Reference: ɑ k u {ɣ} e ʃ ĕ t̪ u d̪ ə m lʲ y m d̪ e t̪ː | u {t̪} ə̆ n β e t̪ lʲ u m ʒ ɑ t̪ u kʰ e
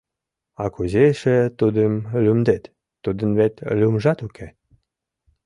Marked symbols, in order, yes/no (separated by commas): no, no